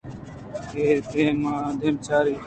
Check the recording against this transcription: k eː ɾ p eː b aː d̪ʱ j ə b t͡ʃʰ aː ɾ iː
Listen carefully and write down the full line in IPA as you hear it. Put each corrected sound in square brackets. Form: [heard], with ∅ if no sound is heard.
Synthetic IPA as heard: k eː ɾ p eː [m] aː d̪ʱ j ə [m] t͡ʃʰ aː ɾ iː